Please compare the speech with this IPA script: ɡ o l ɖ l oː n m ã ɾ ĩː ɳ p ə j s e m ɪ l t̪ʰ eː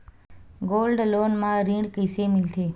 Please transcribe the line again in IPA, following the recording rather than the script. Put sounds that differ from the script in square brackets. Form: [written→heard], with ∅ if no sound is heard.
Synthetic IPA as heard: ɡ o l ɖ l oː n m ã ɾ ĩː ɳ [p→k] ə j s e m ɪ l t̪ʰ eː